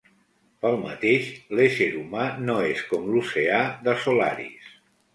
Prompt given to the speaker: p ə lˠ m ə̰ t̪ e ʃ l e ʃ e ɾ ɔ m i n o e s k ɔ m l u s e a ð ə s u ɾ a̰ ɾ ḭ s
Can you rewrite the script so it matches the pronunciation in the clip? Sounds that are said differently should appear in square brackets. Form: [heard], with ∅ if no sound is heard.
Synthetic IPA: p ə lˠ m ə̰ t̪ e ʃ l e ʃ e ɾ [u] m [a] n o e s k ɔ m l u s e a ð ə s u [l] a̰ ɾ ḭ s